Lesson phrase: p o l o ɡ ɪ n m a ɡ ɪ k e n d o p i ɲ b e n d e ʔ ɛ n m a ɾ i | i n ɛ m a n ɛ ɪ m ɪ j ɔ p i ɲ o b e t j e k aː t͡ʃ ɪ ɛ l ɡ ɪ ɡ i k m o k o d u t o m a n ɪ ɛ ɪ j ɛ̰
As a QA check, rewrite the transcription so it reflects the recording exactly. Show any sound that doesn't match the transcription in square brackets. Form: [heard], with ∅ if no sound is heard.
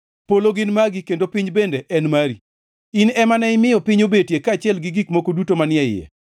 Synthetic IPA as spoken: p o l o ɡ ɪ n m a ɡ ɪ k e n d o p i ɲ b e n d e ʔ ɛ n m a ɾ i | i n ɛ m a n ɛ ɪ m ɪ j ɔ p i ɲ o b e t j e k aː t͡ʃ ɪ ɛ l ɡ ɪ ɡ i k m o k o d u t o m a n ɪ ɛ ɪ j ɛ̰